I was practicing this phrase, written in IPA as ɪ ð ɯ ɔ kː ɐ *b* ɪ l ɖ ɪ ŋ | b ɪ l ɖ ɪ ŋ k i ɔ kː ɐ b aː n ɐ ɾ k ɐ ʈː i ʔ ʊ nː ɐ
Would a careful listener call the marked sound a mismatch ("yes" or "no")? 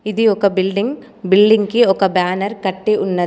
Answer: no